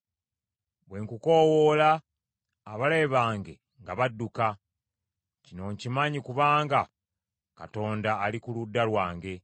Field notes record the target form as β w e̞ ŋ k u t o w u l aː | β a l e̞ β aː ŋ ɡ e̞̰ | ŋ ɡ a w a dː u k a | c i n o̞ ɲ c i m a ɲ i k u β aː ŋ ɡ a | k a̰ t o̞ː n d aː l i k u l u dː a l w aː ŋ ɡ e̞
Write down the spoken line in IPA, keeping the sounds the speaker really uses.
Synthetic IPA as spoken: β w e̞ ŋ k u k o w o l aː | β a l e̞ β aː ŋ ɡ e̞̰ | ŋ ɡ a β a dː u k a | c i n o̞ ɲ c i m a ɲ i k u β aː ŋ ɡ a | k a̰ t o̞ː n d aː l i k u l u dː a l w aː ŋ ɡ e̞

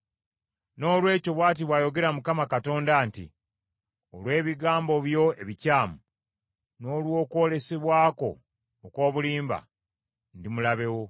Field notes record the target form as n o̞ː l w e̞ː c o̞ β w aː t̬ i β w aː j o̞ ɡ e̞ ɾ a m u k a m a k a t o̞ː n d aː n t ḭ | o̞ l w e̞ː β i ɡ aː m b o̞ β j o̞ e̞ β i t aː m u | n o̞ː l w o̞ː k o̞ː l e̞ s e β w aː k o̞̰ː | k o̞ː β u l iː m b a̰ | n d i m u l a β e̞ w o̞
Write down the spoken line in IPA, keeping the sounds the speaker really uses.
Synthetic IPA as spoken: n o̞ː l w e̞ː c o̞ β w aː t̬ i β w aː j o̞ ɡ e̞ ɾ a m u k a m a k a t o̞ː n d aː n t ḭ | o̞ l w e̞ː β i ɡ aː m b o̞ β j o̞ e̞ β i c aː m u | n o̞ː l w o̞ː k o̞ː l e̞ s e β w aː k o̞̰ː | k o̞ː β u l iː m b a̰ | n d i m u l a β e̞ w o̞

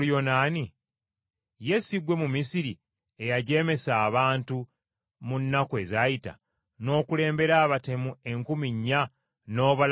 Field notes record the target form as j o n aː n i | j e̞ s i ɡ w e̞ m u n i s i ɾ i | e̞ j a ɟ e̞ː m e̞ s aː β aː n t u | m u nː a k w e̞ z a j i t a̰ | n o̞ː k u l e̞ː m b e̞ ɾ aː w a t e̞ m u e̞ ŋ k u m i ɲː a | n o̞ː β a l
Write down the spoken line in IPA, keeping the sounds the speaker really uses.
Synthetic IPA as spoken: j o n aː n i | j e̞ s i ɡ w e̞ m u m i s i ɾ i | e̞ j a ɟ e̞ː m e̞ s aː β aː n t u | m u nː a k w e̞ z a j i t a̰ | n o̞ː k u l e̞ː m b e̞ ɾ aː β a t e̞ m u e̞ ŋ k u m i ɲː a | n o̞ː β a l

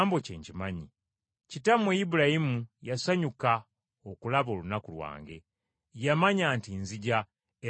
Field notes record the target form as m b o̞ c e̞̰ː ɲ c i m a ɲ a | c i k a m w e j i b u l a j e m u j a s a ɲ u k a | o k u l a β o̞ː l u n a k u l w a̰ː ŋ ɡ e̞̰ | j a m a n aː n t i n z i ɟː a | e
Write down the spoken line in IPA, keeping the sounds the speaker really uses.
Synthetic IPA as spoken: m b o̞ c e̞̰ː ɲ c i m a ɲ i | c i t a m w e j i b u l a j i m u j a s a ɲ u k a | o k u l a β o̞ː l u n a k u l w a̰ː ŋ ɡ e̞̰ | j a m a ɲ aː n t i n z i ɟ a | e

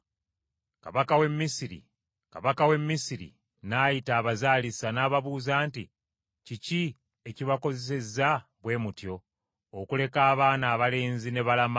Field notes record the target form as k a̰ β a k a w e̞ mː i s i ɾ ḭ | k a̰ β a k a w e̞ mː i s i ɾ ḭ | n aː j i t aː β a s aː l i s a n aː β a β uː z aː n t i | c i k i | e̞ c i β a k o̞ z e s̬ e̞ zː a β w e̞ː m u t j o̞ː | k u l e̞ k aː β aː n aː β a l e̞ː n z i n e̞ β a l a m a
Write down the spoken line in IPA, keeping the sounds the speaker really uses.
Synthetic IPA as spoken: k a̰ β a k a w e̞ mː i s i ɾ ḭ | k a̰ β a k a w e̞ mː i s i ɾ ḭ | n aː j i t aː β a z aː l i s a n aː β a β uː z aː n t i | c i c i | e̞ c i β a k o̞ z e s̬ e̞ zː a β w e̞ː m u t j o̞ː | k u l e̞ k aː β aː n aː β a l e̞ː n z i n e̞ β a l a m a

